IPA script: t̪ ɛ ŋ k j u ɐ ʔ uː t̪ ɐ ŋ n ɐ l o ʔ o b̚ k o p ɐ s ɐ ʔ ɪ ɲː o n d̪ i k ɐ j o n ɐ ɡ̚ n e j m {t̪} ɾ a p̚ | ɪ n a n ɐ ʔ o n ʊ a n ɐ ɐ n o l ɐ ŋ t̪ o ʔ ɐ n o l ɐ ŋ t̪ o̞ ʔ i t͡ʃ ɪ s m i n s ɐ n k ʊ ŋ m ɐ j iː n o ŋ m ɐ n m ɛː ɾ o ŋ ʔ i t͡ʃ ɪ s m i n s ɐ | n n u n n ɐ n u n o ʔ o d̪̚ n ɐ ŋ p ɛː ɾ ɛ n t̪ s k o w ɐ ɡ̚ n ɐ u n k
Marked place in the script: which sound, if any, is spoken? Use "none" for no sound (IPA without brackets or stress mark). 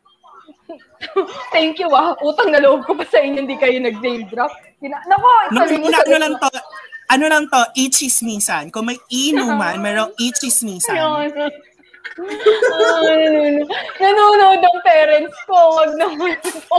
d̪